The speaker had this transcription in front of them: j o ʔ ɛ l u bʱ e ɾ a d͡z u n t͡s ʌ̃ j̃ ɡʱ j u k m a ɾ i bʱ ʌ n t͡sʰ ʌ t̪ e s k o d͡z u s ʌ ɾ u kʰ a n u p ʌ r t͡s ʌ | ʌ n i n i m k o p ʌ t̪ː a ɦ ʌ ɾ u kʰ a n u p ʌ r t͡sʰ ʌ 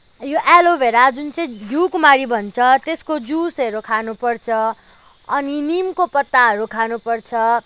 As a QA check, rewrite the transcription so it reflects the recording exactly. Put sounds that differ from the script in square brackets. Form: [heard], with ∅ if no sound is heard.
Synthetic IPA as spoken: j o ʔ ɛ l [o] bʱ e ɾ a d͡z u n t͡s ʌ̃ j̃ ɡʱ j u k m a ɾ i bʱ ʌ n t͡sʰ ʌ t̪ e s k o d͡z u s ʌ ɾ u kʰ a n u p ʌ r [t͡sʰ] ʌ | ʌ n i n i m k o p ʌ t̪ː a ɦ ʌ ɾ u kʰ a n u p ʌ r t͡sʰ ʌ

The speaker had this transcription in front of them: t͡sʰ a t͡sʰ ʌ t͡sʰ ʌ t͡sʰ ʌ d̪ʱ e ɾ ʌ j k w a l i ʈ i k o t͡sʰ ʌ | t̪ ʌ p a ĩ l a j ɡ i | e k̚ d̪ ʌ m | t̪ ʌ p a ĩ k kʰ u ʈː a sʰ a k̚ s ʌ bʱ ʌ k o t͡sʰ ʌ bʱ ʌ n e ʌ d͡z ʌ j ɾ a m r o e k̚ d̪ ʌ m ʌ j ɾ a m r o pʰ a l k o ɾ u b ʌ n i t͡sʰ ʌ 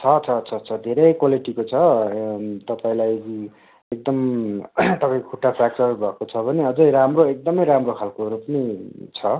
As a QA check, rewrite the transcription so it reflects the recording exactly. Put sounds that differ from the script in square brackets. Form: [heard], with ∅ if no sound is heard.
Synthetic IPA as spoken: t͡sʰ [ʌ] t͡sʰ ʌ t͡sʰ ʌ t͡sʰ ʌ d̪ʱ e ɾ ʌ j k w a l i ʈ i k o t͡sʰ ʌ | t̪ ʌ p a ĩ l a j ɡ i | e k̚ d̪ ʌ m | t̪ ʌ p a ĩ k kʰ u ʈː a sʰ a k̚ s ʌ bʱ ʌ k o t͡sʰ ʌ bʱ ʌ n e ʌ d͡z ʌ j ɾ a m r o e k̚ d̪ ʌ m ʌ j ɾ a m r o [kʰ] a l k o ɾ u [p] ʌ n i t͡sʰ ʌ

